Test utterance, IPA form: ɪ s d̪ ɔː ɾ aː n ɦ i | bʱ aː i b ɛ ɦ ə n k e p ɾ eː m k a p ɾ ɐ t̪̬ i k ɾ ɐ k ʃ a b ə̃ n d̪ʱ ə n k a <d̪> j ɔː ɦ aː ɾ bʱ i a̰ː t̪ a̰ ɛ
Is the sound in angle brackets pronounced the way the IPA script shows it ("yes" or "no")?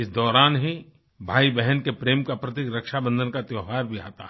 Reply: no